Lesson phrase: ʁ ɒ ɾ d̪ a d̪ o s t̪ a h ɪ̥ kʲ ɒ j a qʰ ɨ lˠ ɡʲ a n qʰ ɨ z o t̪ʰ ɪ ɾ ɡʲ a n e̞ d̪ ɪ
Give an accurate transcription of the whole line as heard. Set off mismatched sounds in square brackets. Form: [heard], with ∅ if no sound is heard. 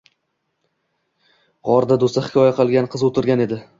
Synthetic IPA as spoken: ʁ ɒ ɾ d̪ a d̪ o s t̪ a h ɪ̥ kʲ ɒ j a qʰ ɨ lˠ ɡʲ a n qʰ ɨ z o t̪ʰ ɪ ɾ ɡʲ a n e̞ d̪ ɪ